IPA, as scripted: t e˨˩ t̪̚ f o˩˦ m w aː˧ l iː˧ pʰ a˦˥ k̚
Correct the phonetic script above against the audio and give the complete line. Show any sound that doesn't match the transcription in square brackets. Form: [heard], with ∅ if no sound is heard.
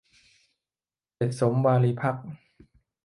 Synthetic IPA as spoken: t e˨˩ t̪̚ [s] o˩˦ m w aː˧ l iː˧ pʰ a˦˥ k̚